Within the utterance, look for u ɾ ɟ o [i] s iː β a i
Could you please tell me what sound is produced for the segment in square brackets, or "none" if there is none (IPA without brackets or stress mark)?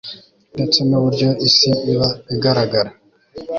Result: i